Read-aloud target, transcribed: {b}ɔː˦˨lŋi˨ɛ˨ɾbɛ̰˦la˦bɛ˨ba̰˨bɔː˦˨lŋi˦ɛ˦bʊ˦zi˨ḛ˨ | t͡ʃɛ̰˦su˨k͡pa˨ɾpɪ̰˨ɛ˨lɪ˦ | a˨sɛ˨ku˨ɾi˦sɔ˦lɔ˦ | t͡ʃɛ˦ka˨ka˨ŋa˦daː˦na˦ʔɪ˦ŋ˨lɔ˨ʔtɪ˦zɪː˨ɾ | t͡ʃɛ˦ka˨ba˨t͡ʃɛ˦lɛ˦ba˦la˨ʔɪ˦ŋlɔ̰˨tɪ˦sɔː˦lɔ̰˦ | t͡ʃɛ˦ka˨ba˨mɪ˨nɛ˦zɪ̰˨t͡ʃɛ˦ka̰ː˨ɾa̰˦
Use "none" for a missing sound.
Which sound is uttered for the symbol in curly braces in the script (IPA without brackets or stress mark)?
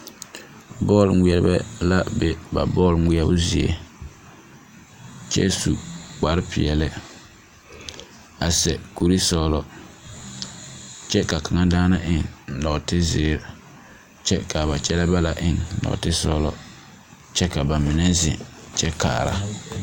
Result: b